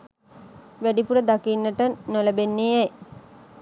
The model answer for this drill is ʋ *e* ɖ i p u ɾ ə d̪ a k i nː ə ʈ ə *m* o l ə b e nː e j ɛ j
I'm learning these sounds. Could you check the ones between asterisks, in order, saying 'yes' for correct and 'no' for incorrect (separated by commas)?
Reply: no, no